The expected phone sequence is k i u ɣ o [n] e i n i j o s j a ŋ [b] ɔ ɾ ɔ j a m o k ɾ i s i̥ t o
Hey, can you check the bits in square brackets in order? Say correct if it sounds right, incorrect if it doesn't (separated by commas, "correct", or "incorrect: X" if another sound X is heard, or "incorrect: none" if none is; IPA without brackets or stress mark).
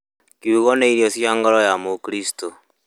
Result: correct, incorrect: ɡ